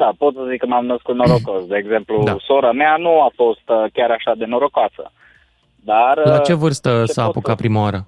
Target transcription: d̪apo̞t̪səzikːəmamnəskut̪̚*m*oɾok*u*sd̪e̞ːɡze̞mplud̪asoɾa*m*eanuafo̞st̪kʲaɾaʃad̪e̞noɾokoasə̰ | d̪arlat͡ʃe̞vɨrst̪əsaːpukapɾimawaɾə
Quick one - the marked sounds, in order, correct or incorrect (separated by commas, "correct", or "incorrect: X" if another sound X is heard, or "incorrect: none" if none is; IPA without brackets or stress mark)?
incorrect: n, incorrect: o, correct